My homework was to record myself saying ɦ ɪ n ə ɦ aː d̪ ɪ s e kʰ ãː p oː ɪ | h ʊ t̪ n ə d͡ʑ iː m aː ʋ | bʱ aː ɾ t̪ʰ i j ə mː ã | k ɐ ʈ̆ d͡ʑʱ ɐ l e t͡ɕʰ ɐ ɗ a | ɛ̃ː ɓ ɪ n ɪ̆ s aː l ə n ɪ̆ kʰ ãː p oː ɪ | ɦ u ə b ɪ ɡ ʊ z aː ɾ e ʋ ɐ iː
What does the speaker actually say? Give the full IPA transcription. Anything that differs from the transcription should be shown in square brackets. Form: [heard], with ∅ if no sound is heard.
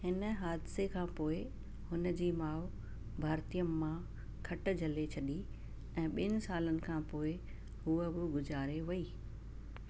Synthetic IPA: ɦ ɪ n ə ɦ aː d̪ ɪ s e kʰ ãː p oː ɪ | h ʊ [∅] n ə d͡ʑ iː m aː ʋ | bʱ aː ɾ [t̪] i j ə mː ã | [kʰ] ɐ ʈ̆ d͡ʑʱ ɐ l e t͡ɕʰ ɐ ɗ [i] | ɛ̃ː ɓ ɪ n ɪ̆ s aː l ə n ɪ̆ kʰ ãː p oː ɪ | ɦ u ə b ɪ ɡ ʊ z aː ɾ e ʋ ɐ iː